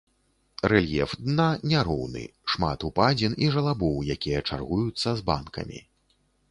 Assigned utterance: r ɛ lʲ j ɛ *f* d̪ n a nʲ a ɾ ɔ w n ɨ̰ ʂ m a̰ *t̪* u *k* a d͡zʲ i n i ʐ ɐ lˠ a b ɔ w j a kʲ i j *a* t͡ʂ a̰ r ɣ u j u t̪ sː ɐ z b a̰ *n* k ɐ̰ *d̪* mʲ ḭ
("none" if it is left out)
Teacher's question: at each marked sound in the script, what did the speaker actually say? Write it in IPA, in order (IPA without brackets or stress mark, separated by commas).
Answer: f, t̪, p, ɐ, n, none